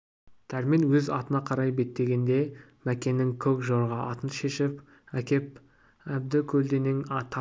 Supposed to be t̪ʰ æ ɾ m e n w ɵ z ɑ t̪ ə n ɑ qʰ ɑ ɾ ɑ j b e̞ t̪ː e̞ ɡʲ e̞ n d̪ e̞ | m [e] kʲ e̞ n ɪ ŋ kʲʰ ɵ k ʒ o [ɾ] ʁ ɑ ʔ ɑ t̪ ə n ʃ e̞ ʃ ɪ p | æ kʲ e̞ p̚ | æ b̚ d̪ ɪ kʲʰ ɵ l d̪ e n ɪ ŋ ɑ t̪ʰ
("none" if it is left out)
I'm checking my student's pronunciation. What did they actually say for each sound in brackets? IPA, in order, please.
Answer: æ, ɾ

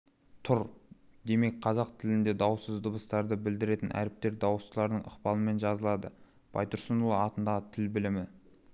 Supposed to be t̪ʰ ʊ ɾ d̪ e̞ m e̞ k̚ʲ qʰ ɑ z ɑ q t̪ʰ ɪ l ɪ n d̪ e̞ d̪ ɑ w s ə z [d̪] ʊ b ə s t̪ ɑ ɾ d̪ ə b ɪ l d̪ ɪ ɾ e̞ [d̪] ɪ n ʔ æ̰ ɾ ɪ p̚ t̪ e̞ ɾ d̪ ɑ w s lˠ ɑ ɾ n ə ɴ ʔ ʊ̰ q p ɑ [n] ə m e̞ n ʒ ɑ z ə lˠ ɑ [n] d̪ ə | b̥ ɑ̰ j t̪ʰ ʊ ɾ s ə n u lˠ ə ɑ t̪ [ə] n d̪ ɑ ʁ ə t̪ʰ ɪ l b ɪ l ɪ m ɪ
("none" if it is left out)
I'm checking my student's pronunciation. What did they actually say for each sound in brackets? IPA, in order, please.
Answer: d̪, t̪, n, none, ə

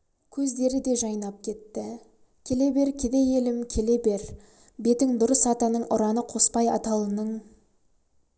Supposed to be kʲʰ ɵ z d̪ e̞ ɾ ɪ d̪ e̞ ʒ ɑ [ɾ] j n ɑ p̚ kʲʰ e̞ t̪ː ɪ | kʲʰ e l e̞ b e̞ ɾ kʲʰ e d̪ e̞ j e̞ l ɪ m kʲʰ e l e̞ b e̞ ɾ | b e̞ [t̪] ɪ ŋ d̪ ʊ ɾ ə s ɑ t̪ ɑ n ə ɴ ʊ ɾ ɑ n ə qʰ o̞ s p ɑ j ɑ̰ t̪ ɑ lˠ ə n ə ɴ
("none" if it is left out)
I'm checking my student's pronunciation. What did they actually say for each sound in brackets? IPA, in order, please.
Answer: none, t̪

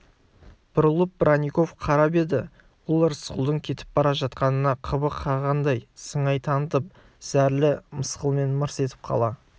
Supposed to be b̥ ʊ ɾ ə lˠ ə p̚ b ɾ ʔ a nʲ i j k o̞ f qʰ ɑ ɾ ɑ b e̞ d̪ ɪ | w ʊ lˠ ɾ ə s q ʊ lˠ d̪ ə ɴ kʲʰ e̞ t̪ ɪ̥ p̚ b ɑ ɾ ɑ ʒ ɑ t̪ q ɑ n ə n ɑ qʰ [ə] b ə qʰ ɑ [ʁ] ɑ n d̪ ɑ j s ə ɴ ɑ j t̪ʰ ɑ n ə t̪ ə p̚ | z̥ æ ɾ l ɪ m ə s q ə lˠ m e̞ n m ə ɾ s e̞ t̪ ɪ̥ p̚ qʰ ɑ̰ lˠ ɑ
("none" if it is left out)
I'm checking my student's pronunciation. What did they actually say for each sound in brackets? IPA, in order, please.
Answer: ə, ʁ

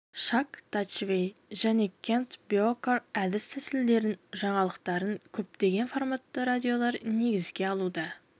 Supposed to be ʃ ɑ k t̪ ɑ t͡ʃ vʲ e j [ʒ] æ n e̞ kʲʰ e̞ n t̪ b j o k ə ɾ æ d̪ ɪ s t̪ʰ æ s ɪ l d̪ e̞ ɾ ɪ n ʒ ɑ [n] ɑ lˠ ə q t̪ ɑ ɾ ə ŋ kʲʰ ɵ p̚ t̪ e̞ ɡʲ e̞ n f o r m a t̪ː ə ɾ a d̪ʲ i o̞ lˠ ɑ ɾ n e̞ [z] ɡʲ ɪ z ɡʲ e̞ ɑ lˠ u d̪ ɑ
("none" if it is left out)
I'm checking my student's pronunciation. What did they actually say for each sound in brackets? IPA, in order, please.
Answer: ʒ, ɴ, none

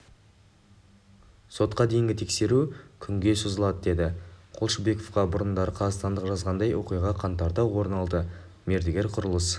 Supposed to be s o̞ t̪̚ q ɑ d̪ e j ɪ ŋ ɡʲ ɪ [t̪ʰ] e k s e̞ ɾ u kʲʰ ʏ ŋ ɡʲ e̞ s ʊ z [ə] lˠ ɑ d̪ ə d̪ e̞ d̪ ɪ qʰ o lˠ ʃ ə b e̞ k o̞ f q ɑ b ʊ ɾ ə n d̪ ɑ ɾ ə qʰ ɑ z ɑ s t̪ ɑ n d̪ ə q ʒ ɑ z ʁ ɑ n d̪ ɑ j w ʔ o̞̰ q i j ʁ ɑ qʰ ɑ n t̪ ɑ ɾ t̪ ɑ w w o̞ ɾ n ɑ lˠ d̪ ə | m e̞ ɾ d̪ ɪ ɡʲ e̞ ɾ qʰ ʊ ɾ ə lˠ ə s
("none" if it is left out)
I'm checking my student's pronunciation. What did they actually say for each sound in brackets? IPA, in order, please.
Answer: t̪ʰ, ə

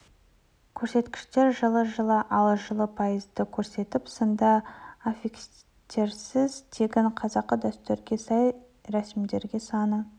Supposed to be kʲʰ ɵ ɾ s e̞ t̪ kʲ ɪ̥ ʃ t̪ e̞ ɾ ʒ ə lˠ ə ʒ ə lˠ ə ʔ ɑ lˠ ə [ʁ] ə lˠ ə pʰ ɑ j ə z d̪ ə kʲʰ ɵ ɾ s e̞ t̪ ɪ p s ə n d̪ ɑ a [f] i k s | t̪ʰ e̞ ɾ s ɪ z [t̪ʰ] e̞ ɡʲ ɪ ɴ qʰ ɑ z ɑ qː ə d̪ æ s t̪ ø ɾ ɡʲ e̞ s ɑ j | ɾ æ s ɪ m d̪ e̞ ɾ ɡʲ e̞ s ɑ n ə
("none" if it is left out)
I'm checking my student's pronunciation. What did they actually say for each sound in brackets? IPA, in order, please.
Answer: ʒ, f, t̪ʰ

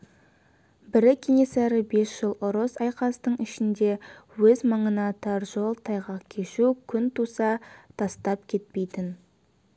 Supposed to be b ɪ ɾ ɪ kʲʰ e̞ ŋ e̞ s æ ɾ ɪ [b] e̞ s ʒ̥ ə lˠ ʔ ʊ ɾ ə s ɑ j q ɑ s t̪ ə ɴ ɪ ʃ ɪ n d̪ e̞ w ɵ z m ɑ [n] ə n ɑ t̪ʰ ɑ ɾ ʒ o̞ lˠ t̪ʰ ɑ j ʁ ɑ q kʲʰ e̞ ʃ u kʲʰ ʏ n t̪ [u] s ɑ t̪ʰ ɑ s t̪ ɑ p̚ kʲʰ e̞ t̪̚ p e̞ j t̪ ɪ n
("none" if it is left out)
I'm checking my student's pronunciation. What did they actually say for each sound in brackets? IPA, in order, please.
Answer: b, ɴ, u

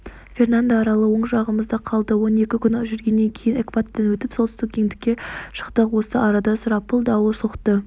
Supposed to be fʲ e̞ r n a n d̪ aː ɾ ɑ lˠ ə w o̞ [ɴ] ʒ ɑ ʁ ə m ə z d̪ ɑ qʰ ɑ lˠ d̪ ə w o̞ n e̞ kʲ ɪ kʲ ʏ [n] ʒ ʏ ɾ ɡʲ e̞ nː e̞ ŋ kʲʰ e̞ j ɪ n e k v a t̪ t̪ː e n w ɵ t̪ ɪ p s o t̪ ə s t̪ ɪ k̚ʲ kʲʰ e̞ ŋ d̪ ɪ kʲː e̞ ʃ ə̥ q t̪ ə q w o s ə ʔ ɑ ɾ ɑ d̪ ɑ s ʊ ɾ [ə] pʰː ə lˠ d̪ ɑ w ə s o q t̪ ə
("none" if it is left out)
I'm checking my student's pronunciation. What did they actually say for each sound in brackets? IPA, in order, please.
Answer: ɴ, n, ɑ

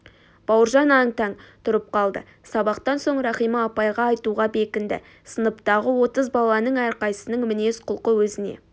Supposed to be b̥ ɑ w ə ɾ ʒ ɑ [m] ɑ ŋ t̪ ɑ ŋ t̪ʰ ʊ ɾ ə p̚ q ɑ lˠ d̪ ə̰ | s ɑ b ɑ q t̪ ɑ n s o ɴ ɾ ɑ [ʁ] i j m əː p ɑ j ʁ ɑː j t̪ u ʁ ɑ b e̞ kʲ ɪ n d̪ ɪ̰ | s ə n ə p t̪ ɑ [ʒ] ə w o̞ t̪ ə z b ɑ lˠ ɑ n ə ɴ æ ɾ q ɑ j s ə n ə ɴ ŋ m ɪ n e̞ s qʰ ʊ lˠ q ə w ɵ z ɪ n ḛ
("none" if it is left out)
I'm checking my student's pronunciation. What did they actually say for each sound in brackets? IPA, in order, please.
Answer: n, χ, ʁ

